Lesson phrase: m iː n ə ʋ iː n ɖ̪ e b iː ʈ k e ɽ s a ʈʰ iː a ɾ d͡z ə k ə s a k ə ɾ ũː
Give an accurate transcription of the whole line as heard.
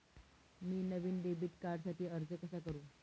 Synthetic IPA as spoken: m iː n ə ʋ iː n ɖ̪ e b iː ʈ k a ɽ s a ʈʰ iː ə ɾ d͡z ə k ə s a k ə ɾ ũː